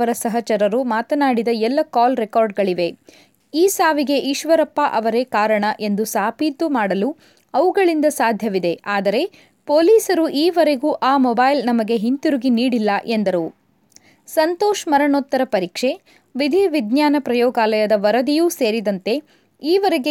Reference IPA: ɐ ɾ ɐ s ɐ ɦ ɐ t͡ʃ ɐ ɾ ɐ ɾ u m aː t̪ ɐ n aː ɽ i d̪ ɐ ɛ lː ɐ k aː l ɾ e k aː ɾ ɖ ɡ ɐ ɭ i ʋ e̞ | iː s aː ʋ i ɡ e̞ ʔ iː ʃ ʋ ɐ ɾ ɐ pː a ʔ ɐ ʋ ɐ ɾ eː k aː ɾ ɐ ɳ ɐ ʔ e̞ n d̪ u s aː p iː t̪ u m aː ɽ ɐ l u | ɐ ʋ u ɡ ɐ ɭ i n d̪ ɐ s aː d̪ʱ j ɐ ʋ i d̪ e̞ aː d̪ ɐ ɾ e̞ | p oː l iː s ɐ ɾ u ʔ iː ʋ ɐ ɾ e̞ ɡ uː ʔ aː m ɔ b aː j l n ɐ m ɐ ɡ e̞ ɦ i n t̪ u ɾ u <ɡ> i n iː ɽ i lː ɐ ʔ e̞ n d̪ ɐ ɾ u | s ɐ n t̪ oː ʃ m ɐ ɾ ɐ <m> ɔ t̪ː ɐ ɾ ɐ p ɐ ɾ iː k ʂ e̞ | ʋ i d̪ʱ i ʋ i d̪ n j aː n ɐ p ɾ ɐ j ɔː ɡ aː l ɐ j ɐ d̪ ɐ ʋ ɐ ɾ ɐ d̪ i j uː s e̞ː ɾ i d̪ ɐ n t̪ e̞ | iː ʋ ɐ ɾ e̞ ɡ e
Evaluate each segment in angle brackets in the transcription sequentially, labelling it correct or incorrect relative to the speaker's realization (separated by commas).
correct, incorrect